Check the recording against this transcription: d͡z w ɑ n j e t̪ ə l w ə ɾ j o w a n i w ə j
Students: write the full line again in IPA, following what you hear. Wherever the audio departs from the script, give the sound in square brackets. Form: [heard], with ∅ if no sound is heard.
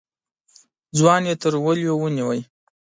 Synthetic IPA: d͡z w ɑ n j e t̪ ə [ɾ] w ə [l] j o w [ə] n i w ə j